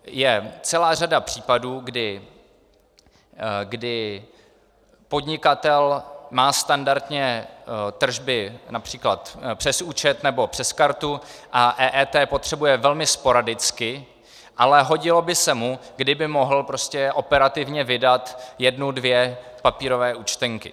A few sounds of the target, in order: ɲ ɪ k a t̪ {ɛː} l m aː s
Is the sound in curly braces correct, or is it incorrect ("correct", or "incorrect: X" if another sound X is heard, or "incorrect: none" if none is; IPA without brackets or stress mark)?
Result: incorrect: ɛ